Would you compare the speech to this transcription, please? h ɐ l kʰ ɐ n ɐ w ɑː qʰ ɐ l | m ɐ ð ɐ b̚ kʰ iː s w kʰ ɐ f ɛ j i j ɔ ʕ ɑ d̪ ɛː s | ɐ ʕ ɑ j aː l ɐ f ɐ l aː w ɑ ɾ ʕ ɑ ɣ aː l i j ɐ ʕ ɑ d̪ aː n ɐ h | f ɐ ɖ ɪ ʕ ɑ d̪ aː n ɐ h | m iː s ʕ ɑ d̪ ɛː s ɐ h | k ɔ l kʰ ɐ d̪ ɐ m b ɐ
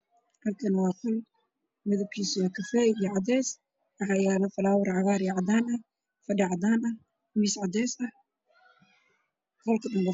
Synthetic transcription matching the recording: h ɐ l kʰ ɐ n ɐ w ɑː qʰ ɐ l | m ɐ ð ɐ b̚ kʰ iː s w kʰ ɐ f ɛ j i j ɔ ʕ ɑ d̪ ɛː s | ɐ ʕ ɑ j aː l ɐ f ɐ l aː w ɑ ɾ ʕ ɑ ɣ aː ɾ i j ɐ ʕ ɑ d̪ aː n ɐ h | f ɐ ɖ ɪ ʕ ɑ d̪ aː n ɐ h | m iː s ʕ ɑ d̪ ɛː s ɐ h | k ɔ l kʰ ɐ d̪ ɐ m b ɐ